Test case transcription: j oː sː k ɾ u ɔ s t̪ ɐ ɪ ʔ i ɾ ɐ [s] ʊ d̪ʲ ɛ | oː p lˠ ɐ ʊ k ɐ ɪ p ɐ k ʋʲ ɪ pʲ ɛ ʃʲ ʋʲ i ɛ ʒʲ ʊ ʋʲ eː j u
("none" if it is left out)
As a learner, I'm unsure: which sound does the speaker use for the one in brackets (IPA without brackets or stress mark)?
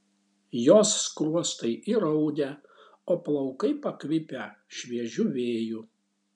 none